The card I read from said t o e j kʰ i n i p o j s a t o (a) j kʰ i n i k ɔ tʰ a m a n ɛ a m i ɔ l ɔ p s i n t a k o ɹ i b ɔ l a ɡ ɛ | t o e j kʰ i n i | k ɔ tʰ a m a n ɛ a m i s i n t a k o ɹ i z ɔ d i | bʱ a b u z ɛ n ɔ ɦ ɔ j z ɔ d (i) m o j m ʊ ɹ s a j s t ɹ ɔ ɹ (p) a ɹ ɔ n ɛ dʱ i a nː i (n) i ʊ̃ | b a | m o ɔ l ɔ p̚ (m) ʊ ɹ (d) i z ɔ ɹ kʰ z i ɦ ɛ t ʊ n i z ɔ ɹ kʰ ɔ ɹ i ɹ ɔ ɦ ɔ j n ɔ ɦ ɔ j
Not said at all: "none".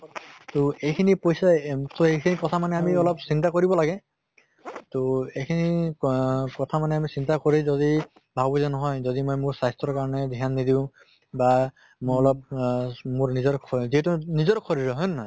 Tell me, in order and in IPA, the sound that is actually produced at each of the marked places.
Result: e, i, k, d, m, n

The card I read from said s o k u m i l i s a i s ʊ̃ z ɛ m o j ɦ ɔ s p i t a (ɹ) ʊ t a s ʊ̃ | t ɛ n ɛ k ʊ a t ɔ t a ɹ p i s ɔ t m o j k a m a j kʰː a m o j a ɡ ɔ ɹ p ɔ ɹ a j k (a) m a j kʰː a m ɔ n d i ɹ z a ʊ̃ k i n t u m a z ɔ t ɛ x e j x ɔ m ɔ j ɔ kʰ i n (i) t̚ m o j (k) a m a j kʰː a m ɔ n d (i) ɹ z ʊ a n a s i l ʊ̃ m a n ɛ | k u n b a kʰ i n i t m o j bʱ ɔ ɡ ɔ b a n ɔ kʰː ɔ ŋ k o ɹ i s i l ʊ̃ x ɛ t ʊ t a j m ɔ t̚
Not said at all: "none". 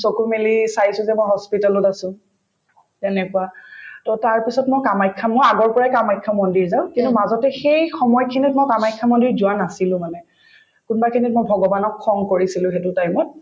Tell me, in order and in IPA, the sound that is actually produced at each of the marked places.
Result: l, a, i, k, i

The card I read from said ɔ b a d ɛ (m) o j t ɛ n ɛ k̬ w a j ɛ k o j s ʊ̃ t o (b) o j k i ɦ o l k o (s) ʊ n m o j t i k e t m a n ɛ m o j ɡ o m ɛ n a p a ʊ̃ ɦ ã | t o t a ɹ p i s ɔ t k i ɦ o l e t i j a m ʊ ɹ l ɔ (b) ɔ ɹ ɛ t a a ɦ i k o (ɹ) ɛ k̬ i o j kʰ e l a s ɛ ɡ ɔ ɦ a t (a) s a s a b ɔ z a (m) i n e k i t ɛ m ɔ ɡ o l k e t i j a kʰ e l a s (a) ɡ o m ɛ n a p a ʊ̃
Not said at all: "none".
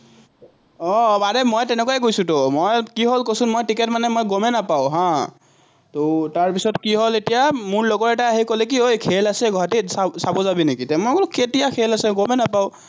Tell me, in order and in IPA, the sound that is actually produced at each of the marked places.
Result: m, m, s, ɡ, l, i, b, ɛ

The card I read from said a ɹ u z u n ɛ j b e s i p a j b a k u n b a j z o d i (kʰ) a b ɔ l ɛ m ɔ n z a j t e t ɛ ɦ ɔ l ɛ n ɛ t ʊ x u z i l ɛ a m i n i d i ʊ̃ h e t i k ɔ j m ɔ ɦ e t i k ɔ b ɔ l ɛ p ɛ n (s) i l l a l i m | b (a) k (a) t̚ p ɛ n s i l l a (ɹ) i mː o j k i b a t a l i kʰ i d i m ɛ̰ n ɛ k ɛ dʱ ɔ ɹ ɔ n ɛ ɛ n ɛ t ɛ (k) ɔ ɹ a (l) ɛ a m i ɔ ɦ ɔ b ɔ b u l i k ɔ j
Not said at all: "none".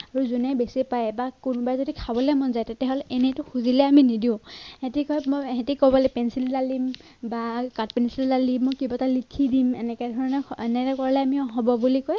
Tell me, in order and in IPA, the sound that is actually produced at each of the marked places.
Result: kʰ, s, a, a, l, k, l

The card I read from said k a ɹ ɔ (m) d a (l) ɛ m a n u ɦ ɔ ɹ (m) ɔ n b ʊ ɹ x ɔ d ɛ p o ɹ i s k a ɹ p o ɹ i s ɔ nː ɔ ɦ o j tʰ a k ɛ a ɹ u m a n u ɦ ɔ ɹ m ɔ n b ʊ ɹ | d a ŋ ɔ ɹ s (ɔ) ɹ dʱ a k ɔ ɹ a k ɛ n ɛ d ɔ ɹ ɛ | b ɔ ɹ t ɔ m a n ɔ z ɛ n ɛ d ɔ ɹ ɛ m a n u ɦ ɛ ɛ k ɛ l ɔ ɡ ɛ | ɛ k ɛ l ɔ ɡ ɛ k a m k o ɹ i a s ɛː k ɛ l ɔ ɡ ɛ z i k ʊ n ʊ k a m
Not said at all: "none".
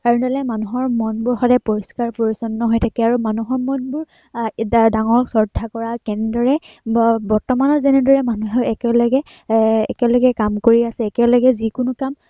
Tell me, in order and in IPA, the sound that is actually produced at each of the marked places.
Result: n, l, m, ɔ

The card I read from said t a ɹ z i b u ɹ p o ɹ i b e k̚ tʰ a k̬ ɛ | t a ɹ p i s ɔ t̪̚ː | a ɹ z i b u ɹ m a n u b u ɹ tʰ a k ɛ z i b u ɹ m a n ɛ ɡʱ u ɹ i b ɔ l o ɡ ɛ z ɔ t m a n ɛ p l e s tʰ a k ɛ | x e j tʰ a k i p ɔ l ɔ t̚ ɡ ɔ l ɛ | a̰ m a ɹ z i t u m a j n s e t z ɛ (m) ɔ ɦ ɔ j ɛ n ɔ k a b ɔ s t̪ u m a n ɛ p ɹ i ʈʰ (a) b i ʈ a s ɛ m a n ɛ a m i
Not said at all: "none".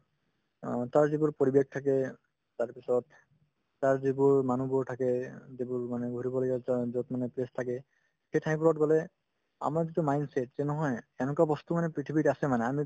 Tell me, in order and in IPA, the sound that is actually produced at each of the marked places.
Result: n, i

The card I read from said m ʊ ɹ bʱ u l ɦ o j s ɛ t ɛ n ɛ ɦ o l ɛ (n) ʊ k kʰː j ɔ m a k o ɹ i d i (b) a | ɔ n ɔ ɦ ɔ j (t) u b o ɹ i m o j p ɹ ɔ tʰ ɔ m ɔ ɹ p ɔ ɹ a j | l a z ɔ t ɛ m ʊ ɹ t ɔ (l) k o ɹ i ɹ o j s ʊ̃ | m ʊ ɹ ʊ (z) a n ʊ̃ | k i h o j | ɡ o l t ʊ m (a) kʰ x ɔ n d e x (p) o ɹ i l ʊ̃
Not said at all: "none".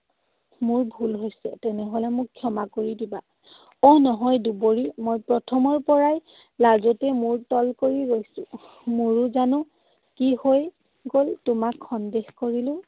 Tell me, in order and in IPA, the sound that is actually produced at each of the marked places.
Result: m, b, d, l, z, a, k

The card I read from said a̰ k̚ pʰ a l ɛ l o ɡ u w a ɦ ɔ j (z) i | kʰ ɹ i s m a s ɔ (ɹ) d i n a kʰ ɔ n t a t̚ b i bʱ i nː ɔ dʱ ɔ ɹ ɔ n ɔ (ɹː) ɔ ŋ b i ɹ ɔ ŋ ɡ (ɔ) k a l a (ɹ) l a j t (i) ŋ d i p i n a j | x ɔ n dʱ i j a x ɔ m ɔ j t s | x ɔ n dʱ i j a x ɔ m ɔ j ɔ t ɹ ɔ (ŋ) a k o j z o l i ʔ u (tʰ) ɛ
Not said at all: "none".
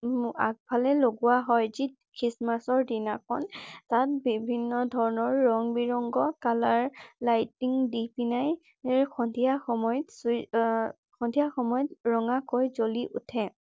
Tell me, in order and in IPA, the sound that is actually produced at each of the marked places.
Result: z, ɹ, ɹː, ɔ, ɹ, i, ŋ, tʰ

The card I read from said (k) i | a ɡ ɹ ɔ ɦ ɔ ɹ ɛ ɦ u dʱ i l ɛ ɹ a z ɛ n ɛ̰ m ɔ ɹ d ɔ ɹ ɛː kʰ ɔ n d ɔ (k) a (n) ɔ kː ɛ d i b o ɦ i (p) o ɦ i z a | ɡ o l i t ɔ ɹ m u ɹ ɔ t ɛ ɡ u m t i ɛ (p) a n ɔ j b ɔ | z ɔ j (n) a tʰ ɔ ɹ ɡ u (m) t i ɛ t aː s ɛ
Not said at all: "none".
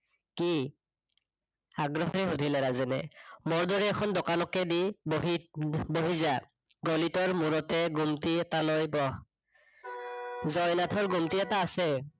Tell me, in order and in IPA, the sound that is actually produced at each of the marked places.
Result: k, k, n, b, t, n, m

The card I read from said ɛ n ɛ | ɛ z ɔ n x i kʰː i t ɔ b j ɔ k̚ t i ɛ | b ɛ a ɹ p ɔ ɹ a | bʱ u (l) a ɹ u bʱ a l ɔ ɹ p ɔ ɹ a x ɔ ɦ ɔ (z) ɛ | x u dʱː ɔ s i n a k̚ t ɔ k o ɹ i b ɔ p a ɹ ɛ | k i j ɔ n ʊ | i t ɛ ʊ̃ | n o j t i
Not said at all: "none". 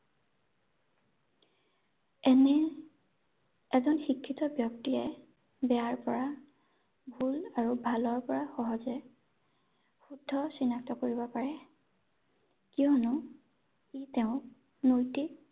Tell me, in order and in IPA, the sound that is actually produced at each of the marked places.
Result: l, z

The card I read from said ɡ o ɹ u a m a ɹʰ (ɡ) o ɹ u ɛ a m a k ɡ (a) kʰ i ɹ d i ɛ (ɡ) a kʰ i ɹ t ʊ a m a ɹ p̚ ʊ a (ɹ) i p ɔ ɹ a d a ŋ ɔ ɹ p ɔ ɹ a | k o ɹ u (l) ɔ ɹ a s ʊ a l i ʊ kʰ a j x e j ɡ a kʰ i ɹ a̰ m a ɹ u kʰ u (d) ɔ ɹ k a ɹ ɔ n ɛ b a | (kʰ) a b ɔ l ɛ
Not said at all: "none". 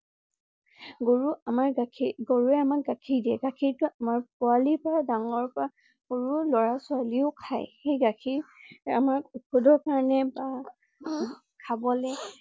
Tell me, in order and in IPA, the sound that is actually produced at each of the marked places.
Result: ɡ, a, ɡ, l, l, d, kʰ

